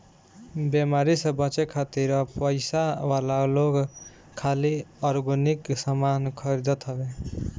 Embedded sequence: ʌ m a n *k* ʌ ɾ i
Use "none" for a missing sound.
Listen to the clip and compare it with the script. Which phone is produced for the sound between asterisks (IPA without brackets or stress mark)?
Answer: kʰ